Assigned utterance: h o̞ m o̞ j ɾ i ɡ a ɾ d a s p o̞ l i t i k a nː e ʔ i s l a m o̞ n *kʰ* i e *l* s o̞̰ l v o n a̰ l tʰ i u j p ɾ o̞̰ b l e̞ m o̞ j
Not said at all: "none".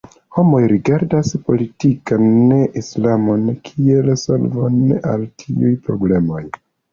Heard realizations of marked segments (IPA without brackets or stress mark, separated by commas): kʰ, l